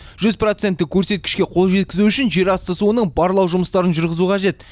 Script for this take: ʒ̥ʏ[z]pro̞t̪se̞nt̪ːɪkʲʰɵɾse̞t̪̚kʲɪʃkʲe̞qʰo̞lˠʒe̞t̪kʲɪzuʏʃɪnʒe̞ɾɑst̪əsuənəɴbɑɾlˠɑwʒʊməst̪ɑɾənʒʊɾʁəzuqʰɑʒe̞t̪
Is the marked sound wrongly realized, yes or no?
no